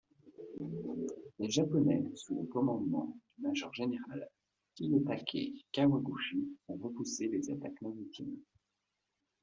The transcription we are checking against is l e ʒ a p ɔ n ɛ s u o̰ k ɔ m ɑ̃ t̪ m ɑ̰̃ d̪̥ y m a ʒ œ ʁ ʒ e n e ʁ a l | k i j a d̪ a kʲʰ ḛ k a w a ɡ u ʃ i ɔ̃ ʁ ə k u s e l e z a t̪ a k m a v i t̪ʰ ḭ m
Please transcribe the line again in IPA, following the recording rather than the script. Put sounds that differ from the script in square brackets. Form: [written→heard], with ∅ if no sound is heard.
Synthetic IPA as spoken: l e ʒ a p ɔ n ɛ s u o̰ k ɔ m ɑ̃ [t̪→d̪] m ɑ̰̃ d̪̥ y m a ʒ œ ʁ ʒ e n e ʁ a l | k i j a [d̪→t̪] a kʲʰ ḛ k a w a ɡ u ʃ i ɔ̃ ʁ ə [k→p] u s e l e z a t̪ a k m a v i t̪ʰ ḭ m